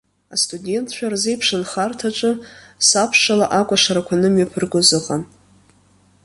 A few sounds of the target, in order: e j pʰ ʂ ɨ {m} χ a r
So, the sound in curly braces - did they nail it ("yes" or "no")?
no